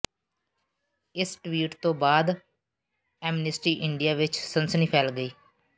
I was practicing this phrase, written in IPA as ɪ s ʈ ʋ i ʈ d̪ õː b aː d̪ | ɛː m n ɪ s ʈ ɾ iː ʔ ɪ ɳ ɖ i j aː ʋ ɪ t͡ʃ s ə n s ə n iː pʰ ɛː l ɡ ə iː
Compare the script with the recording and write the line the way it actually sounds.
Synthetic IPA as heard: ɪ s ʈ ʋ iː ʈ t̪ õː b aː d̪ | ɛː m n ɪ s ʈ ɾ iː ʔ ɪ ɳ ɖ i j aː ʋ ɪ t͡ʃ s ə n s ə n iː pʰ ɛː l ɡ ə iː